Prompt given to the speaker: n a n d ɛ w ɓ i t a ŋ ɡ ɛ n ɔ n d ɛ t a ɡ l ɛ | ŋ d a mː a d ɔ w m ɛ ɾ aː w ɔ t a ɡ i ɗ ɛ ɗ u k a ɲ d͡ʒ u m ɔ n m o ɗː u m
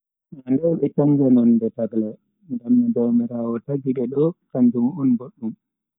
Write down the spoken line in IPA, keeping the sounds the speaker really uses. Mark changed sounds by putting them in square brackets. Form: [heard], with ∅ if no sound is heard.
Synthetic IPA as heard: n a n d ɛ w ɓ [ɛ] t a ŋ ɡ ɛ n ɔ n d ɛ t a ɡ l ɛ | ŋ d a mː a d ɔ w m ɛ ɾ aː w ɔ t a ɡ i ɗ ɛ ɗ [ɔ] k a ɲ d͡ʒ u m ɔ n [b] o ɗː u m